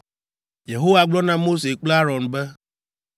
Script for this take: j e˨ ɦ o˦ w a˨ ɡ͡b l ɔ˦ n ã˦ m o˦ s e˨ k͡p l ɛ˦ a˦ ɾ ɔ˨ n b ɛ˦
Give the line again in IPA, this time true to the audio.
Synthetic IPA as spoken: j e˨ ɦ o˦ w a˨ ɡ͡b l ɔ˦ n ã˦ m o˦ s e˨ k͡p l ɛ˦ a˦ ɾ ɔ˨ n b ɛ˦